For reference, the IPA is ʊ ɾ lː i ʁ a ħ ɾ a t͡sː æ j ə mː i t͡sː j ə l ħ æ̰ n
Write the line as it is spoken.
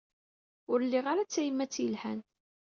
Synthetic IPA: ʊ ɾ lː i ʁ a ɾ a t͡sː æ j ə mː æ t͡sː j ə l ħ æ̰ n